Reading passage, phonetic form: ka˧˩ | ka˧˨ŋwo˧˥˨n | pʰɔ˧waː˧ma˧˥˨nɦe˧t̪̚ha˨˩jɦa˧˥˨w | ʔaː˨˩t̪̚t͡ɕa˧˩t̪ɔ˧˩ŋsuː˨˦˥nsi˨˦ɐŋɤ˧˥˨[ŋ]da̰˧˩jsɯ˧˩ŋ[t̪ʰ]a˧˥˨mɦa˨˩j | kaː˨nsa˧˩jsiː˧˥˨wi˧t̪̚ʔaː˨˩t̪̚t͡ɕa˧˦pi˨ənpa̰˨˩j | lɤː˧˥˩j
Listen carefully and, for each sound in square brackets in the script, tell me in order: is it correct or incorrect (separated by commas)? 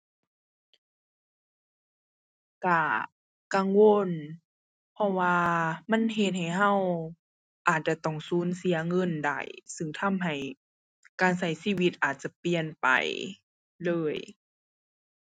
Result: incorrect, correct